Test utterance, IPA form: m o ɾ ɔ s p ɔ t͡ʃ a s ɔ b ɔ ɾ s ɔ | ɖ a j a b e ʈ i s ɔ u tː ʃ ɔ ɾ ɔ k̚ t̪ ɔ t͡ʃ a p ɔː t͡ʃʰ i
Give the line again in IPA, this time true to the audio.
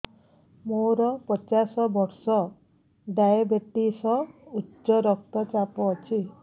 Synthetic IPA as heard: m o ɾ ɔ p ɔ t͡ʃ a s ɔ b ɔ ɾ s ɔ | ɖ a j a b e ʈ i s ɔ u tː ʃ ɔ ɾ ɔ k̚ t̪ ɔ t͡ʃ a p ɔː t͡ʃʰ i

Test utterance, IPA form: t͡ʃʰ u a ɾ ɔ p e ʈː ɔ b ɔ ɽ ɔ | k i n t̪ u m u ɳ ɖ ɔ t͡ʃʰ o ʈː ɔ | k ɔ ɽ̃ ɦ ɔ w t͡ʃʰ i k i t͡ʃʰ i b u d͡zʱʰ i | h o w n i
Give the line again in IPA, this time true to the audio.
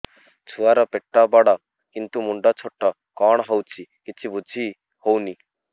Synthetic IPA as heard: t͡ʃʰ u a ɾ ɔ p e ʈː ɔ b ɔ ɽ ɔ | k i n t̪ u m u ɳ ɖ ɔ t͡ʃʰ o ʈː ɔ | k ɔ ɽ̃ ɦ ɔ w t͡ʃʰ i k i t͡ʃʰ i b u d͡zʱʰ i | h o w n i

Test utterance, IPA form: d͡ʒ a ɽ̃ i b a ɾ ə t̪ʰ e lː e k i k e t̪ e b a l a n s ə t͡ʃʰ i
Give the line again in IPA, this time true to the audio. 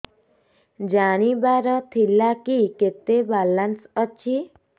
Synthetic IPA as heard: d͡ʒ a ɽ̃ i b a ɾ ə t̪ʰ i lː a k i k e t̪ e b a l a n s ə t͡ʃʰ i

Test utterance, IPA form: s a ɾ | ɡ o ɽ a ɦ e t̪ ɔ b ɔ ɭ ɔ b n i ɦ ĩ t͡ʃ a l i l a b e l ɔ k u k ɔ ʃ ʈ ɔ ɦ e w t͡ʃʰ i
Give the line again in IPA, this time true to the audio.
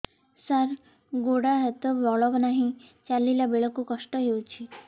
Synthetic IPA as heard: s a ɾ | ɡ o ɽ a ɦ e t̪ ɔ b ɔ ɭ ɔ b n a ɦ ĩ t͡ʃ a l i l a b e ɭ ɔ k u k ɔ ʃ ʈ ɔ ɦ e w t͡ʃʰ i

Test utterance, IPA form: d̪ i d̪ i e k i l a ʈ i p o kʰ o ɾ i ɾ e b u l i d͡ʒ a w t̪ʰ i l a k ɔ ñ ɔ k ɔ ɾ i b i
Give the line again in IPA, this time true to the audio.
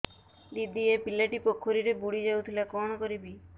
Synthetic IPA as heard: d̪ i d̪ i e p i l a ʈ i p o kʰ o ɾ i ɾ e b u ɽ i d͡ʒ a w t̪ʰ i l a k ɔ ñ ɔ k ɔ ɾ i b i

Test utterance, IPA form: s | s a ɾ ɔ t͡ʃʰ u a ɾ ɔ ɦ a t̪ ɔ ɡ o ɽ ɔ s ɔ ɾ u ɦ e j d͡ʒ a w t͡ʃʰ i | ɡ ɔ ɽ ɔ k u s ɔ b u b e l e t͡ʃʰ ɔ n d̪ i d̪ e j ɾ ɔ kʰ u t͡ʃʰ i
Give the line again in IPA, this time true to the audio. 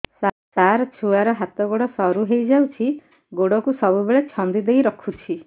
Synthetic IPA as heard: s | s a ɾ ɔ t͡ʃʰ u a ɾ ɔ ɦ a t̪ ɔ ɡ o ɽ ɔ s ɔ ɾ u ɦ e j d͡ʒ a w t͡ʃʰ i | ɡ o ɽ ɔ k u s ɔ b u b e ɭ e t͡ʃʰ ɔ n d̪ i d̪ e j ɾ ɔ kʰ u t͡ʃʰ i

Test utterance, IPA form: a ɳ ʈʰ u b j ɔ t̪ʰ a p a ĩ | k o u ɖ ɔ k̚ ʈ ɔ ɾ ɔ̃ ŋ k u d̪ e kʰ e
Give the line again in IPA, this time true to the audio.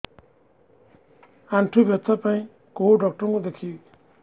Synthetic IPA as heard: a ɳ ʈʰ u b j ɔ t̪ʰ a p a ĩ | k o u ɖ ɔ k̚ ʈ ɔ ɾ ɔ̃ ŋ k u d̪ e kʰ i

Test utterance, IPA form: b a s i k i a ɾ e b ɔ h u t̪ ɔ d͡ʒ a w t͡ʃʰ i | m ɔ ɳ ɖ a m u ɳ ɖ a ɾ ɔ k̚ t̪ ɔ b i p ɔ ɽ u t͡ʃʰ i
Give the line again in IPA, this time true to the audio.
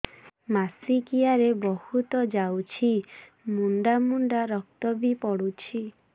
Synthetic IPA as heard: m a s i k i a ɾ e b ɔ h u t̪ ɔ d͡ʒ a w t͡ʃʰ i | m u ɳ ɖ a m u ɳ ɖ a ɾ ɔ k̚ t̪ ɔ b i p ɔ ɽ u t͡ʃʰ i

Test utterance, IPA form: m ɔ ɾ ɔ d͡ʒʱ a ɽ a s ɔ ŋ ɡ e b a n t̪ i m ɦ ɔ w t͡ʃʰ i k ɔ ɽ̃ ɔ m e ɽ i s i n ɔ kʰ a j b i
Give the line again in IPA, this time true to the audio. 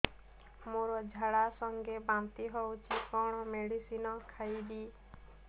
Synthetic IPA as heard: m o ɾ ɔ d͡ʒʱ a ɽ a s ɔ ŋ ɡ e b a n t̪ i ɦ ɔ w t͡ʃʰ i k ɔ ɽ̃ ɔ m e ɽ i s i n ɔ kʰ a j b i

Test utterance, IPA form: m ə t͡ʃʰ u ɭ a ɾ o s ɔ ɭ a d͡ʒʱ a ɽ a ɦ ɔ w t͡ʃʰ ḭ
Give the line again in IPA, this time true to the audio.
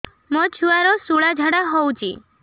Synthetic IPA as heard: m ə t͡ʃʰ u a ɾ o s u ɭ a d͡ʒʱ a ɽ a ɦ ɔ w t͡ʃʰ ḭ

